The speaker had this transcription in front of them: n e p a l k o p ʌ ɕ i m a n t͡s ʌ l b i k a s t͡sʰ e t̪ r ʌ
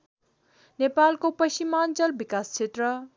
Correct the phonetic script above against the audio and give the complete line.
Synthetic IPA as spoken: n e p a l k o p ʌ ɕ i m a n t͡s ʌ l b i k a s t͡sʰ e t̪ r ʌ